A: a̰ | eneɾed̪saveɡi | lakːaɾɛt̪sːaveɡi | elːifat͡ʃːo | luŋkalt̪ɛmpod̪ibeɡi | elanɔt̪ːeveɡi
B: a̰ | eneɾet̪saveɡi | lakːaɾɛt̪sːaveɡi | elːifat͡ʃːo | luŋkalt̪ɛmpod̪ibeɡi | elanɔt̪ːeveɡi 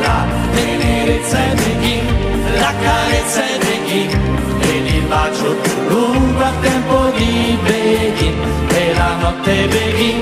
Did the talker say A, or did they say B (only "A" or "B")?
B